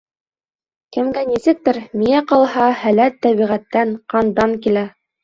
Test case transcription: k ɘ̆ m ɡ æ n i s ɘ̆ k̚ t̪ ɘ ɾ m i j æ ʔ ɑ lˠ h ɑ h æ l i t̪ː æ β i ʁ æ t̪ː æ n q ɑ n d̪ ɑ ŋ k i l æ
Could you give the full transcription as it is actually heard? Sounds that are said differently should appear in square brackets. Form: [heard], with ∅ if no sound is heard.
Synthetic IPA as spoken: k ɘ̆ m ɡ æ n i s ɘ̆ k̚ t̪ ɘ ɾ m i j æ [q] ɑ lˠ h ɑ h æ l [æ] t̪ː æ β i ʁ æ t̪ː æ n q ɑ n d̪ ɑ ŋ k i l æ